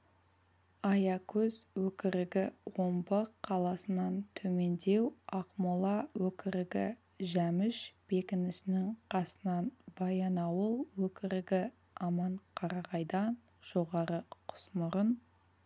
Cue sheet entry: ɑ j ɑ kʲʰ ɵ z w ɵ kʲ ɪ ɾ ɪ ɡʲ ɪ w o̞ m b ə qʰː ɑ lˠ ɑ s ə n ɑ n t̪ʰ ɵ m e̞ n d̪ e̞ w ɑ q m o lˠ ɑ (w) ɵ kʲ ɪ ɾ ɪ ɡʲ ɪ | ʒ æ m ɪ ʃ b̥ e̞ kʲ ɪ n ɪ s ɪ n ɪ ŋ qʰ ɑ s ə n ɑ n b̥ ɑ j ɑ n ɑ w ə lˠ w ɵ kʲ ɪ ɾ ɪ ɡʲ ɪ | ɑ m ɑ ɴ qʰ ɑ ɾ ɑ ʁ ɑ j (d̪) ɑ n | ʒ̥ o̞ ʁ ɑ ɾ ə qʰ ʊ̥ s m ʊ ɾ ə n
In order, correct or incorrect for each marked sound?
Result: correct, correct

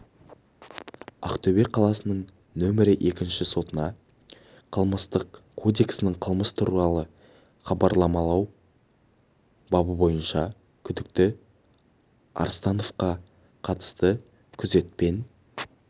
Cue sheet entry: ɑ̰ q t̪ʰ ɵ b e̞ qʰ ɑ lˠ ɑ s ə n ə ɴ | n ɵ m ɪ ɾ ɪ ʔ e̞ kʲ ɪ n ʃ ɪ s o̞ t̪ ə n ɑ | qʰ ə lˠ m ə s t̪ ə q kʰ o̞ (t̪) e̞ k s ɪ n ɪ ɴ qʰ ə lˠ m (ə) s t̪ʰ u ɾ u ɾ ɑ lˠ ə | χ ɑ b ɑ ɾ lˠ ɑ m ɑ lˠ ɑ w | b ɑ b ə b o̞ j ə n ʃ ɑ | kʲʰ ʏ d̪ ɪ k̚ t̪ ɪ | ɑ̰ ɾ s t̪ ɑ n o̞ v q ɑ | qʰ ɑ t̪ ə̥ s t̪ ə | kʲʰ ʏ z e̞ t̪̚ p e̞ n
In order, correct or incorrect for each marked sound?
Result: incorrect: d̪, correct

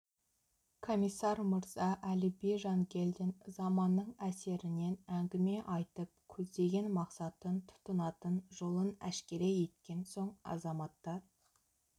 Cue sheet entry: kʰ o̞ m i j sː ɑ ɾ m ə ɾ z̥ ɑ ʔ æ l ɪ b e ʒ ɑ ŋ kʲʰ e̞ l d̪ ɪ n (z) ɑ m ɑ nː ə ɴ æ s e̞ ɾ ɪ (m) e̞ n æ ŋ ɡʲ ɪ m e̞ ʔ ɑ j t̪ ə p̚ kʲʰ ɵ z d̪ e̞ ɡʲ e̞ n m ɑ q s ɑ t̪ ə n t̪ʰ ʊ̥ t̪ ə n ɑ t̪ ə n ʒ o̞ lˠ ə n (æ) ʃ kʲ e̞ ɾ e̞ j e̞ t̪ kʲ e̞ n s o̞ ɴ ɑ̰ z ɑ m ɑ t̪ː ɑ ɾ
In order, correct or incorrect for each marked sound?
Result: correct, incorrect: n, correct

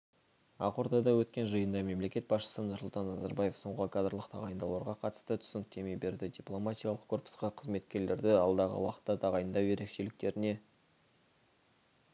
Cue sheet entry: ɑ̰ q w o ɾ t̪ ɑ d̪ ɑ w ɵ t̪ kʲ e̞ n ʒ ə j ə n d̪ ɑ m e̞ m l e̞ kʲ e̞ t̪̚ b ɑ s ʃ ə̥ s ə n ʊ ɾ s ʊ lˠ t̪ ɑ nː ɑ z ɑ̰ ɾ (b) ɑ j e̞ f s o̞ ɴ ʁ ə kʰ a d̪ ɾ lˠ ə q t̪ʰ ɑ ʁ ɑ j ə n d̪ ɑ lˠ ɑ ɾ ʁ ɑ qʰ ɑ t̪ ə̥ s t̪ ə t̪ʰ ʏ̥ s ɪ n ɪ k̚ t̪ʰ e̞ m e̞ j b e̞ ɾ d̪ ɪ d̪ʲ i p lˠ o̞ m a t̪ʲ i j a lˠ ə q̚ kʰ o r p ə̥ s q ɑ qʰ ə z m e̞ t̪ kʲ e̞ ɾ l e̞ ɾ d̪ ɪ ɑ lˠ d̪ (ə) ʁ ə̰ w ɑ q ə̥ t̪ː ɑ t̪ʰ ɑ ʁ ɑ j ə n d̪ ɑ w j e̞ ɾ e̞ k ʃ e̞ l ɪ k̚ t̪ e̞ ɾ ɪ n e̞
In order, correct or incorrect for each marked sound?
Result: correct, incorrect: ɑ

